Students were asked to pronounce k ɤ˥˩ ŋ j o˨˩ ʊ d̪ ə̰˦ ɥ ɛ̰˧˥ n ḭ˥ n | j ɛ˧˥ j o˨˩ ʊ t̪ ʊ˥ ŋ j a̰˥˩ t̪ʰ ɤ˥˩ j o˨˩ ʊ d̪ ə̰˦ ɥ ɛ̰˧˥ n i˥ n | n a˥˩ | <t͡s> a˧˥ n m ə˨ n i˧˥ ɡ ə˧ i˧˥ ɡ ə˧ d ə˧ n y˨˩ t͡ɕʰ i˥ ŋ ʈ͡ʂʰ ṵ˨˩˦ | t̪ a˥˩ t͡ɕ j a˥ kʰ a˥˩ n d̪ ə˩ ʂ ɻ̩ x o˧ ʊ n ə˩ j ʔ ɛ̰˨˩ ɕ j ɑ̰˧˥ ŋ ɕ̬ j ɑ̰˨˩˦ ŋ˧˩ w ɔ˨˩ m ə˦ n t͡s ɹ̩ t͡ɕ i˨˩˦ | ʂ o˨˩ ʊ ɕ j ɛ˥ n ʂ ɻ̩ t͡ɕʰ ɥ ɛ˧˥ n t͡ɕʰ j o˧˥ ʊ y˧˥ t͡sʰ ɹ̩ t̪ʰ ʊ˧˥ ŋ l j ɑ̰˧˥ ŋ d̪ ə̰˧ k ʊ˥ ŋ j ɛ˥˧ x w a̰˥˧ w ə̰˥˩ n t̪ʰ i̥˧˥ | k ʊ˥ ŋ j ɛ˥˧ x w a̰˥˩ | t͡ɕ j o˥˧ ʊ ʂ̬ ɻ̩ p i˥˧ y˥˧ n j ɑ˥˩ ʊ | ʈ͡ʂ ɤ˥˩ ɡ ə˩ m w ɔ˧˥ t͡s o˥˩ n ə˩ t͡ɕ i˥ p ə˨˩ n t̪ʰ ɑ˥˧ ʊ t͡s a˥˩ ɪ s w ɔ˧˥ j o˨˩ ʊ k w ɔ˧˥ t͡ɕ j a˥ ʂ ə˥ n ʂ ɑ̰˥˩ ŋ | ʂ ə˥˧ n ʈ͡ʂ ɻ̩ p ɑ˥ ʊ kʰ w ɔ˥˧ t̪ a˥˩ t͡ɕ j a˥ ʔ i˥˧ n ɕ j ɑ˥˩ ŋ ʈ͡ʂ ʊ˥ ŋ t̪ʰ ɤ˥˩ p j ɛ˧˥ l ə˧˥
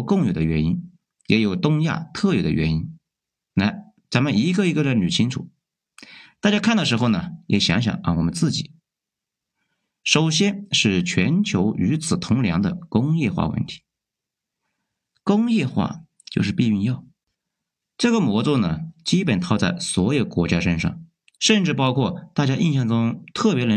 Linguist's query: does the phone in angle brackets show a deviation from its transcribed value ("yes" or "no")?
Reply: no